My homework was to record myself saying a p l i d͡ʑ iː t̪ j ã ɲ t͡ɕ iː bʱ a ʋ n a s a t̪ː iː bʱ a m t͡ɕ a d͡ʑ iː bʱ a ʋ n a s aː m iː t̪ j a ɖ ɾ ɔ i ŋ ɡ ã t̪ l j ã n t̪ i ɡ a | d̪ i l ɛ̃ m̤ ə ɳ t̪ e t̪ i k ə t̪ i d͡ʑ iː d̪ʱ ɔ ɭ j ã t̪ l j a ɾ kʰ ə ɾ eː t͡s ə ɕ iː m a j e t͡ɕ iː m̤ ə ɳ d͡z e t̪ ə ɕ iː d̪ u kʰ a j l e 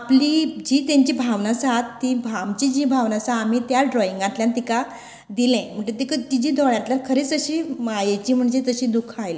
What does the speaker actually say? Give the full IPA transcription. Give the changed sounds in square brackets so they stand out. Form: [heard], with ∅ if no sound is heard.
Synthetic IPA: a p l i d͡ʑ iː t̪ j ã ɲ t͡ɕ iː bʱ a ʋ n a s a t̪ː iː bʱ a m t͡ɕ [i] d͡ʑ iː bʱ a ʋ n a s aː m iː t̪ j a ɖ ɾ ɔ i ŋ ɡ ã t̪ l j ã n t̪ i [k] a | d̪ i l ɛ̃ m̤ ə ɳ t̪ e t̪ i k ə t̪ i d͡ʑ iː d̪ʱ ɔ ɭ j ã t̪ l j a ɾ kʰ ə ɾ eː t͡s ə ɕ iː m a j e t͡ɕ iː m̤ ə ɳ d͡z e t̪ ə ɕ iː d̪ u kʰ a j l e